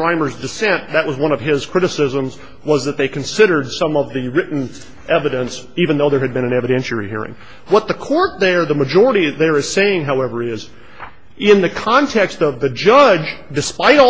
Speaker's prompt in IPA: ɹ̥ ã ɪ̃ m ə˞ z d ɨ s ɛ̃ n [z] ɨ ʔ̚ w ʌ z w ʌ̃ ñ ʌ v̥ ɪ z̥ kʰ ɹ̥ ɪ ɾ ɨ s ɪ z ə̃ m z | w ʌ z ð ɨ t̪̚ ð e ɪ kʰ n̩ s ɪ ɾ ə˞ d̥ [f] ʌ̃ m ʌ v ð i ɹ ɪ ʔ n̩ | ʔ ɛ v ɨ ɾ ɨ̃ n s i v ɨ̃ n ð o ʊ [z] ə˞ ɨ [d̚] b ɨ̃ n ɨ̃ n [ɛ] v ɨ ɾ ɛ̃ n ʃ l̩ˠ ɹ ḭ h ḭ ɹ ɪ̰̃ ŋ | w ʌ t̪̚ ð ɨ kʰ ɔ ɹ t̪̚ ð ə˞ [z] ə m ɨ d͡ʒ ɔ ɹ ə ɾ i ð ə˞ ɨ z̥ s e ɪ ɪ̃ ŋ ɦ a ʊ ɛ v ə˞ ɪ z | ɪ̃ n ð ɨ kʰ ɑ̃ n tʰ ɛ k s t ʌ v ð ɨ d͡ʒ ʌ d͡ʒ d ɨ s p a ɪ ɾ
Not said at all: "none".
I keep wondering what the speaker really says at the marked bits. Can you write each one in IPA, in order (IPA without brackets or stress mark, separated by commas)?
ð, s, ð, d̚, ɛ, ð